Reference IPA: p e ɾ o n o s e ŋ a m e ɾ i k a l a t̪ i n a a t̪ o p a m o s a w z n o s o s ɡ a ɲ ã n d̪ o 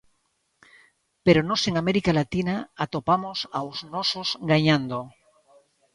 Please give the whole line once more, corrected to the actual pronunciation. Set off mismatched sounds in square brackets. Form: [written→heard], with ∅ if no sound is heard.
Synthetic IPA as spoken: p e ɾ o n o s e ŋ a m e ɾ i k a l a t̪ i n a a t̪ o p a m o s a w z n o s o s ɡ a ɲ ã n d̪ o